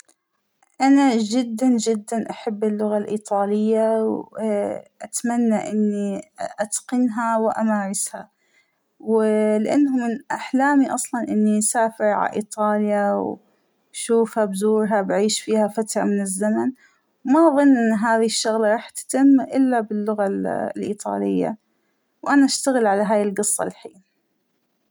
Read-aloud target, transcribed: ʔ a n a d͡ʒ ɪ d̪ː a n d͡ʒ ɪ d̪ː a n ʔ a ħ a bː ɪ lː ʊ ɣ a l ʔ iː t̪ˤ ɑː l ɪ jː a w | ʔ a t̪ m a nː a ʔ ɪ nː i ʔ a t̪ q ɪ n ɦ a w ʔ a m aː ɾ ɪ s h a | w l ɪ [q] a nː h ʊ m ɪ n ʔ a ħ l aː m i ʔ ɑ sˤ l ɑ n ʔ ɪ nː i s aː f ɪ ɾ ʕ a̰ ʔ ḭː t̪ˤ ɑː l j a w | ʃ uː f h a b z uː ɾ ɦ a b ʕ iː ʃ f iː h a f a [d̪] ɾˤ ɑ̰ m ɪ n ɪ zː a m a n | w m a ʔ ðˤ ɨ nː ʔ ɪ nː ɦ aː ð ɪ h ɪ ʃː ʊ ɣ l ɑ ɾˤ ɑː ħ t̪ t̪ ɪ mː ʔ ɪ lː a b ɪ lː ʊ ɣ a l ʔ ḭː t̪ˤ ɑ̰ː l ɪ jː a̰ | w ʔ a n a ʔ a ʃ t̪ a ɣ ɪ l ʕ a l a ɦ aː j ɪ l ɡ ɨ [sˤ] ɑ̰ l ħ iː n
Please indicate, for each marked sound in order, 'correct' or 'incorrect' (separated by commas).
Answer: incorrect, incorrect, incorrect